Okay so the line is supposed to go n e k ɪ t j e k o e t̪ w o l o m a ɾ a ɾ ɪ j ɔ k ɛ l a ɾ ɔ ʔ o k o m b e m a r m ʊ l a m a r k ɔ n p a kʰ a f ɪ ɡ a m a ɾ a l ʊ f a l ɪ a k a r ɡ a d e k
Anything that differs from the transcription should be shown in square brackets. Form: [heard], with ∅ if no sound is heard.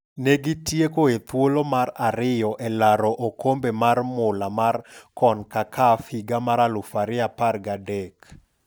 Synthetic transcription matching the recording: n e [ɡ] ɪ t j e k o e t̪ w o l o m a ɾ a ɾ ɪ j ɔ [ʔ] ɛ l a ɾ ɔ ʔ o k o m b e m a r m ʊ l a m a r k ɔ n [k] a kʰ a f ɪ ɡ a m a ɾ a l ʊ f a [ɾ] ɪ a [p] a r ɡ a d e k